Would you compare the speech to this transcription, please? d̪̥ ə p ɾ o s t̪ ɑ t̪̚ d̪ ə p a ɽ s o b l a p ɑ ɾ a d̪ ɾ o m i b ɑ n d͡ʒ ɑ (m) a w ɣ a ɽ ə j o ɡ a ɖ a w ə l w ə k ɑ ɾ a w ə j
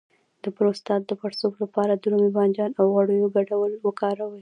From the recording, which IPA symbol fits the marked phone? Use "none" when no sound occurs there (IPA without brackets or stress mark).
n